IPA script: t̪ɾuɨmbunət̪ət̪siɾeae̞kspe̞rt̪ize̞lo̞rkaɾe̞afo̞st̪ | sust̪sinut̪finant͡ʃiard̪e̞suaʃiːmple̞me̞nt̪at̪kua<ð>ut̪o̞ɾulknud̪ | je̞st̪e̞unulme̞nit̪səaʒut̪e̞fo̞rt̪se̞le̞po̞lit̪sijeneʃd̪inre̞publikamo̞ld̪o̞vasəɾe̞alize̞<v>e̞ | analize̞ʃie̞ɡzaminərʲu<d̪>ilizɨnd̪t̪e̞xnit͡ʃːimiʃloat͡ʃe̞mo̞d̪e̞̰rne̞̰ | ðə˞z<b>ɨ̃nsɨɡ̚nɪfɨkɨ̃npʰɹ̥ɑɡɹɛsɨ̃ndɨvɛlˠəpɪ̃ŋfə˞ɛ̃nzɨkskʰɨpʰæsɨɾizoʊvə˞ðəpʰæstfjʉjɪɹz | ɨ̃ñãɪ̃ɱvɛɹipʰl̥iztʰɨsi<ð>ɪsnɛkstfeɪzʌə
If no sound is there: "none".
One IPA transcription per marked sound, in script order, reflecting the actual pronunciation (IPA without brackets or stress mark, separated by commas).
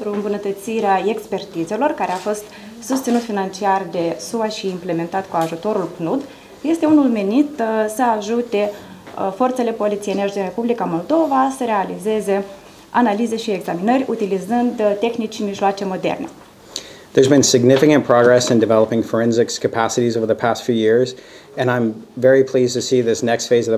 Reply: ʒ, z, t̪, b, ð